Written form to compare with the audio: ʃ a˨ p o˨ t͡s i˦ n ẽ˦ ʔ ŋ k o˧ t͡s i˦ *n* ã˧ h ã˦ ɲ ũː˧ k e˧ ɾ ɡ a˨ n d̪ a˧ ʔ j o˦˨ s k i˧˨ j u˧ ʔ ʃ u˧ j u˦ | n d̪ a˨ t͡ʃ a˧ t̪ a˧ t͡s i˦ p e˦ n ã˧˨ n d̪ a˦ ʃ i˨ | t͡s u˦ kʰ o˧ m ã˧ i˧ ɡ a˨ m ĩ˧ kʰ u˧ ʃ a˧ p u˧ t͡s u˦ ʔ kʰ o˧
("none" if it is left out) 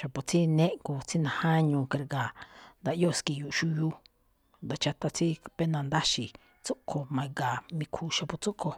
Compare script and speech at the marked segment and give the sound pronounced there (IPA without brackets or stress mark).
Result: n